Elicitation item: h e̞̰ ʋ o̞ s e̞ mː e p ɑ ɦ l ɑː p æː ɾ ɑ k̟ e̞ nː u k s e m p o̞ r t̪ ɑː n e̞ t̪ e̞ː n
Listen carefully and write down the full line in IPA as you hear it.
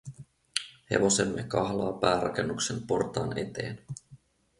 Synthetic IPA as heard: h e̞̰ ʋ o̞ s e̞ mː e k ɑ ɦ l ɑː p æː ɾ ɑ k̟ e̞ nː u k s e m p o̞ r t̪ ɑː n e̞ t̪ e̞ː n